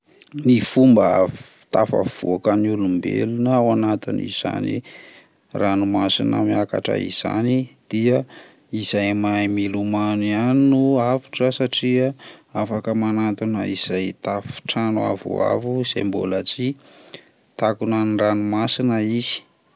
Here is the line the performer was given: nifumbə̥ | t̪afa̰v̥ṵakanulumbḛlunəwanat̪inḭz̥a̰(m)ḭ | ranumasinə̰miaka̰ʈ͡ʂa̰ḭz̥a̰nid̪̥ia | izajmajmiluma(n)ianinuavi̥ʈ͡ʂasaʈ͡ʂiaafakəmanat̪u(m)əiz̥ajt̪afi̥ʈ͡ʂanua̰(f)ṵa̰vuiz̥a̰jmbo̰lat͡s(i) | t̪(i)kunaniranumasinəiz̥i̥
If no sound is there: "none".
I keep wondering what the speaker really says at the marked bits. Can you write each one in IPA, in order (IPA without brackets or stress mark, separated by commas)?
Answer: n, n, n, v, i, a